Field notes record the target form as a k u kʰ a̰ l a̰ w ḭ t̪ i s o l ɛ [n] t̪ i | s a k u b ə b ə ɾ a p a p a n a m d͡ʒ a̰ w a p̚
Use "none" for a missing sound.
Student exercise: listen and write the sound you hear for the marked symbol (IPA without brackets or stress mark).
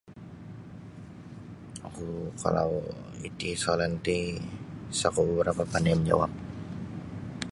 n